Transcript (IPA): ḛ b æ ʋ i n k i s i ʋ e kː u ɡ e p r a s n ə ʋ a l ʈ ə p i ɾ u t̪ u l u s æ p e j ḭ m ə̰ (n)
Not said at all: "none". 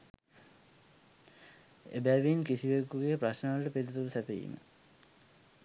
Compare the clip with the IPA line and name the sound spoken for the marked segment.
none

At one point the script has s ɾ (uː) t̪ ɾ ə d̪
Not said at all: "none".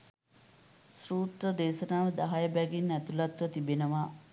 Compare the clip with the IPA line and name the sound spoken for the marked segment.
uː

